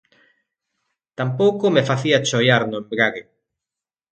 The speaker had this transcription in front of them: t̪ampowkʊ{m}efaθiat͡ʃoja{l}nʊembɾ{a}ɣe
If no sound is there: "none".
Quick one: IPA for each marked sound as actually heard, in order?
m, ɾ, a

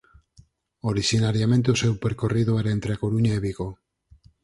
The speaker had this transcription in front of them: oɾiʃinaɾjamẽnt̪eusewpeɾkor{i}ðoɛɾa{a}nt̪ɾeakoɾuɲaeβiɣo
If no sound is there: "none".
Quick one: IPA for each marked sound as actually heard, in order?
i, e

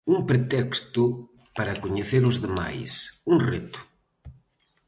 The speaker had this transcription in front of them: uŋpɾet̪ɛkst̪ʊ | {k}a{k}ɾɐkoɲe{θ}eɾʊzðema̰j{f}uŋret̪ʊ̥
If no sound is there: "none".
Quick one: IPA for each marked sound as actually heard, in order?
p, none, θ, s

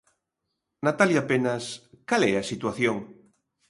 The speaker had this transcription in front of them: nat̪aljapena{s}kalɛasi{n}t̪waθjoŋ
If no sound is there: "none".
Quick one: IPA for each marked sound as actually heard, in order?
s, none

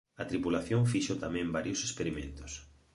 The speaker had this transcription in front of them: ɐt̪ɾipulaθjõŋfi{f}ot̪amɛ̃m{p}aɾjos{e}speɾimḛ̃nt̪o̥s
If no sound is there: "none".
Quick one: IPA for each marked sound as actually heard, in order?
ʃ, b, e

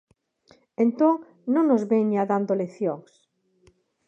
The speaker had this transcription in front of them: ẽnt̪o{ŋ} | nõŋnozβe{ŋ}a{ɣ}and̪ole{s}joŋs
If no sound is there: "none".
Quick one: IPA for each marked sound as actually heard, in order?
ŋ, ɲ, ð, θ

